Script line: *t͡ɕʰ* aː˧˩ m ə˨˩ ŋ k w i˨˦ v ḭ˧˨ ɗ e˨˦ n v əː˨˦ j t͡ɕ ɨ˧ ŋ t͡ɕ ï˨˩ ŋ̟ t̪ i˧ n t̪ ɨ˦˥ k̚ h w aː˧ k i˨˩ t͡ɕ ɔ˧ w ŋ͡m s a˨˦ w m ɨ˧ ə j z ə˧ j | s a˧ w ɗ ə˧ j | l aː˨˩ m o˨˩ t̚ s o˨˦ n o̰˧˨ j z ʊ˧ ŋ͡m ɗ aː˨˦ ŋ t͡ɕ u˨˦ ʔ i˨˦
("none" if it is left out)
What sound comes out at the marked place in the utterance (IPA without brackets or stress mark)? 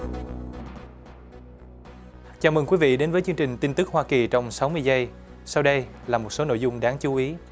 t͡ɕ